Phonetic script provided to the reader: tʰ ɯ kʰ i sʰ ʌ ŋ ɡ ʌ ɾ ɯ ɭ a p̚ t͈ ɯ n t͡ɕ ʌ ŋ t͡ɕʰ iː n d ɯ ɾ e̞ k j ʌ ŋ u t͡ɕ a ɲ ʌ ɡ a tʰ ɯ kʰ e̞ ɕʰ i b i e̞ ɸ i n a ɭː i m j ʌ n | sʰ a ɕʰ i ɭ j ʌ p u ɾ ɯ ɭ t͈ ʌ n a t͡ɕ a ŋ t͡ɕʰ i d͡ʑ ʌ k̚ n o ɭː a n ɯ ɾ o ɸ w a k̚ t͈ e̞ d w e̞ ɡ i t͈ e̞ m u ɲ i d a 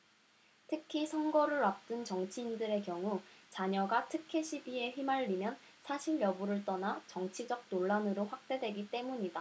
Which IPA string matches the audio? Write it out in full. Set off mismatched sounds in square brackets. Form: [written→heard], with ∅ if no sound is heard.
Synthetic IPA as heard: tʰ ɯ kʰ i sʰ ʌ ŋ ɡ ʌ ɾ ɯ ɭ a p̚ t͈ ɯ n t͡ɕ ʌ ŋ t͡ɕʰ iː n d ɯ ɾ e̞ k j ʌ ŋ u t͡ɕ a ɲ ʌ ɡ a tʰ ɯ kʰ e̞ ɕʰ i b i e̞ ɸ i [n→m] a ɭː i m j ʌ n | sʰ a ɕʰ i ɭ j ʌ [p→b] u ɾ ɯ ɭ t͈ ʌ n a t͡ɕ [a→ʌ] ŋ t͡ɕʰ i d͡ʑ ʌ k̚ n o ɭː a n ɯ ɾ o ɸ w a k̚ t͈ e̞ d w e̞ ɡ i t͈ e̞ m u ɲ i d a